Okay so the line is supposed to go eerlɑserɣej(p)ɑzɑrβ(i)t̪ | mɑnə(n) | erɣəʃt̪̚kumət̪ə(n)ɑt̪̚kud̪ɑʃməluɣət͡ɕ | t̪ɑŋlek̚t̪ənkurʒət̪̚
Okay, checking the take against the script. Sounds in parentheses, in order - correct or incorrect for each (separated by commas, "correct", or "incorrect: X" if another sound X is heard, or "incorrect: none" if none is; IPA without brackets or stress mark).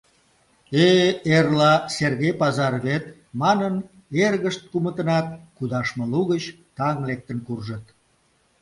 correct, incorrect: e, correct, correct